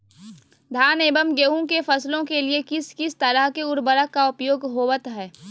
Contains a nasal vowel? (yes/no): yes